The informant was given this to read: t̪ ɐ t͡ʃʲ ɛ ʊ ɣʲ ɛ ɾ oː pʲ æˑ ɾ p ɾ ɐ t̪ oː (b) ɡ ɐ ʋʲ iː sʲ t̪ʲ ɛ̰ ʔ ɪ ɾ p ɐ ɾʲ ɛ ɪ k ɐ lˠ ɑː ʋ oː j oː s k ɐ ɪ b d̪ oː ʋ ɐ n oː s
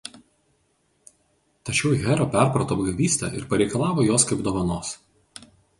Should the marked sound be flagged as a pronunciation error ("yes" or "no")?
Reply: no